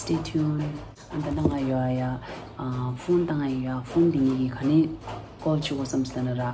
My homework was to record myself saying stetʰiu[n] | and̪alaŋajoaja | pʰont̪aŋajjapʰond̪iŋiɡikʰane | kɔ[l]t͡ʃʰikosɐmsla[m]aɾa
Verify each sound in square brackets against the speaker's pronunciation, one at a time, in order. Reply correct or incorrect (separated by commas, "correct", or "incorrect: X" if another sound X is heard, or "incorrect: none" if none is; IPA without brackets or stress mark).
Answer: correct, correct, incorrect: n